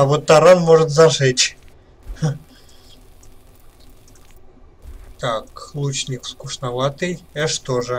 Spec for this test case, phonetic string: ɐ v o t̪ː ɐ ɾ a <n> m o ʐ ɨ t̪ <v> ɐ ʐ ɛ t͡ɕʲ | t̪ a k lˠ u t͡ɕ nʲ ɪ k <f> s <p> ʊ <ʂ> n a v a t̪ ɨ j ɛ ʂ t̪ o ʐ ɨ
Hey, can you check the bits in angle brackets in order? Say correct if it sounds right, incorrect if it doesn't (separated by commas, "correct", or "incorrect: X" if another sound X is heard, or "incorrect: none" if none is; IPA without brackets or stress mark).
correct, incorrect: z, correct, incorrect: k, correct